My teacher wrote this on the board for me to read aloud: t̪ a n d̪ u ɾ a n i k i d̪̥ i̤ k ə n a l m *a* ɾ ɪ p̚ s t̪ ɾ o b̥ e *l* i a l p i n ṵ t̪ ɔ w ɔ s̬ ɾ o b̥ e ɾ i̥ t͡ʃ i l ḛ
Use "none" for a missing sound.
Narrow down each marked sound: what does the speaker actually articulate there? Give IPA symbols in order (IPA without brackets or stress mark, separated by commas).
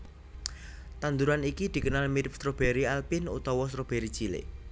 i, ɾ